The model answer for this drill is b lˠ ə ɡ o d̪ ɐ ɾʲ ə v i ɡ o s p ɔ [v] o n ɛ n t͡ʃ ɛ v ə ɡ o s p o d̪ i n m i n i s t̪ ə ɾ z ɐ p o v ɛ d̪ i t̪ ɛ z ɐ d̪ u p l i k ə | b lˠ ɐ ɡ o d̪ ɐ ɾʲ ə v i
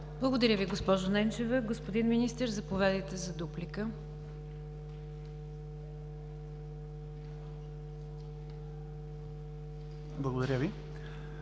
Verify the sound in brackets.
incorrect: ʒ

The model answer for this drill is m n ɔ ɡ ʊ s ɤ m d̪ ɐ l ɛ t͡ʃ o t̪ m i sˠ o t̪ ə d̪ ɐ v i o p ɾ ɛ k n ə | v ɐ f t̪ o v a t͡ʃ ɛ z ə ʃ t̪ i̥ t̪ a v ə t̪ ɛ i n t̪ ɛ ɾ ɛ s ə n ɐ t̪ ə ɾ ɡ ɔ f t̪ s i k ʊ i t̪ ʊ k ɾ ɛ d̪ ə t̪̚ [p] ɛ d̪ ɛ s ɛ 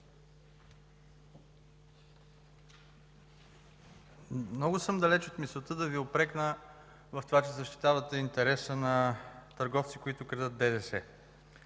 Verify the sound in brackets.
incorrect: b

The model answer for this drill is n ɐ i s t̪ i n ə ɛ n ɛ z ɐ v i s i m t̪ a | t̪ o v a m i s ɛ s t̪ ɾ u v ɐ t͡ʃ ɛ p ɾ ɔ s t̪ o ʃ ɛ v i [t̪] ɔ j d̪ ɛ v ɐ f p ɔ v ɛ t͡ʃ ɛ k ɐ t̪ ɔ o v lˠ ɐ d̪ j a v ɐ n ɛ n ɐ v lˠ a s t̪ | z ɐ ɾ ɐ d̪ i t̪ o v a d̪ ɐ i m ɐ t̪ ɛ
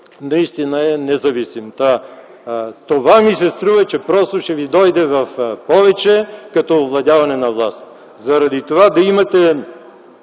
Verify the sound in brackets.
incorrect: d̪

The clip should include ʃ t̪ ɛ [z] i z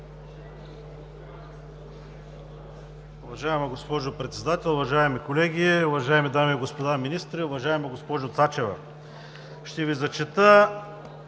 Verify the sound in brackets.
incorrect: v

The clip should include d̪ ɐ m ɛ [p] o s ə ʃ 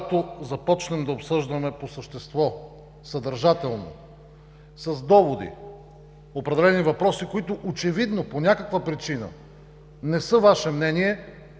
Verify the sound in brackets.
correct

